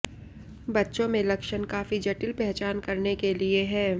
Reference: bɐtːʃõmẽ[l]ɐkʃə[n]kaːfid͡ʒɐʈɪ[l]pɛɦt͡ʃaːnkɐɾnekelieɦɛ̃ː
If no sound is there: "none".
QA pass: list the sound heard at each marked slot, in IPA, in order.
l, n, l

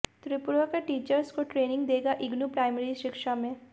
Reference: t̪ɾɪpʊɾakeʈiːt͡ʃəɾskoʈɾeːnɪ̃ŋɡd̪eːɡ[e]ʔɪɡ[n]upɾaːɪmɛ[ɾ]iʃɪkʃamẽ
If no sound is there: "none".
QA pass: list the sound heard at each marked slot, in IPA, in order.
a, n, ɾ

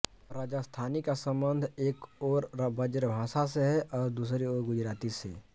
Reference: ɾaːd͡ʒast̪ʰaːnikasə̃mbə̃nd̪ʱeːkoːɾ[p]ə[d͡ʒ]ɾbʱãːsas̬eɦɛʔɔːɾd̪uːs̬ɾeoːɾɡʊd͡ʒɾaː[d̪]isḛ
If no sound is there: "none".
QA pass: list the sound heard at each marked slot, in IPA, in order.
b, d͡ʒ, t̪

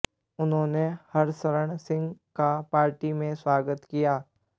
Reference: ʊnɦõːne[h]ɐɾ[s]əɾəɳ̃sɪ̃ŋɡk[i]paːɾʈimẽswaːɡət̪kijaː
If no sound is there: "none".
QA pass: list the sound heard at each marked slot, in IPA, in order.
h, s, a

